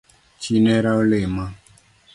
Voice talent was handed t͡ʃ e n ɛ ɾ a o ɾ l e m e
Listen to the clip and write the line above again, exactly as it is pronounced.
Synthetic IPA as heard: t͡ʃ i n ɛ ɾ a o l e m a